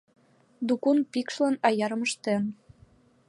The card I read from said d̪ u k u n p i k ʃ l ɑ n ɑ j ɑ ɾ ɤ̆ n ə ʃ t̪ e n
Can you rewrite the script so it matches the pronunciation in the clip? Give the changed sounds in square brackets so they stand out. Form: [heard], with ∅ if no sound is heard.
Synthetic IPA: d̪ u k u n p i k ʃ l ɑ n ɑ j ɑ ɾ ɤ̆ [m] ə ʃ t̪ e n